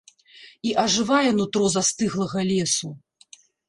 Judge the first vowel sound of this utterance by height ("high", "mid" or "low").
high